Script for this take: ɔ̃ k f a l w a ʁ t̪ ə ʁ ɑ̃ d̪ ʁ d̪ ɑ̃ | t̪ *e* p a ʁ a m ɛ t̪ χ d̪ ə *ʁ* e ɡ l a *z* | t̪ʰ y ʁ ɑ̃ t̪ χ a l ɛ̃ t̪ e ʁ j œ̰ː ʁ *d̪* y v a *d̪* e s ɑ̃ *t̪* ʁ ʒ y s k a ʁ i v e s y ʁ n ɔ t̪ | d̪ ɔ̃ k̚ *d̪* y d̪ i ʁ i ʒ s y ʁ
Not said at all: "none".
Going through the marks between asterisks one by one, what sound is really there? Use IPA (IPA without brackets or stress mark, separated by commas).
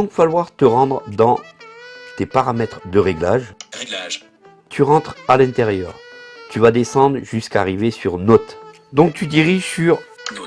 e, ʁ, ʒ, t̪, d̪, d̪, t̪